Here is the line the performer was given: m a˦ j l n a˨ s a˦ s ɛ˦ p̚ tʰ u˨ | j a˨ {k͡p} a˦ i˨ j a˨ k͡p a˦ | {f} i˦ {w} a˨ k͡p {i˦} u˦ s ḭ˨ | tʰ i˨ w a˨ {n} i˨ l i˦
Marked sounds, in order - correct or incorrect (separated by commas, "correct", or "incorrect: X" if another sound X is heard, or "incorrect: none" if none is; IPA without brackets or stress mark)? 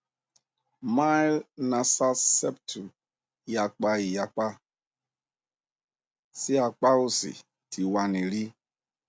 correct, incorrect: s, incorrect: none, incorrect: a˦, correct